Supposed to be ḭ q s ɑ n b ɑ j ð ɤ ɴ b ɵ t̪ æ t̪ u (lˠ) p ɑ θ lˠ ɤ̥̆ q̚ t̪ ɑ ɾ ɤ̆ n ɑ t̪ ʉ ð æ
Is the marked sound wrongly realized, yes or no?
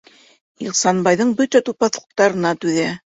yes